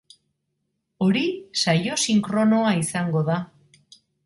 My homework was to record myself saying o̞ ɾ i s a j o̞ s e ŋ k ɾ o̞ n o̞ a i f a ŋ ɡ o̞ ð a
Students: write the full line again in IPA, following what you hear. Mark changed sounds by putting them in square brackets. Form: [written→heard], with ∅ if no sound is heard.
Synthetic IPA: o̞ ɾ i s a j o̞ s [e→i] ŋ k ɾ o̞ n o̞ a i [f→s] a ŋ ɡ o̞ ð a